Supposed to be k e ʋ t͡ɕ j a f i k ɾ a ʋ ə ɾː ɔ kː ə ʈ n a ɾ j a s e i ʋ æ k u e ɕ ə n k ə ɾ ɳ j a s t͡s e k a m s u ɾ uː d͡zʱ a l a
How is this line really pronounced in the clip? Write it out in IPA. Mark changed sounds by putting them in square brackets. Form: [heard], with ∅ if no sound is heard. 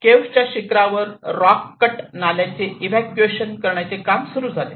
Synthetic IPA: k e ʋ t͡ɕ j a [ɕ] i k ɾ a ʋ ə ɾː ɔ kː ə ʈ n a [l] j a [t͡s] e i ʋ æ k u e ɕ ə n k ə ɾ ɳ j a [∅] t͡s e k a m s u ɾ uː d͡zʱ a l [e]